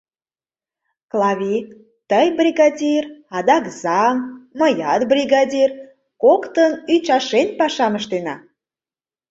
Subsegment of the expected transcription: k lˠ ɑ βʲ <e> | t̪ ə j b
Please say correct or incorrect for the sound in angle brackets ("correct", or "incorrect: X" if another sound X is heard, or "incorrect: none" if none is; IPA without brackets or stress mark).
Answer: incorrect: i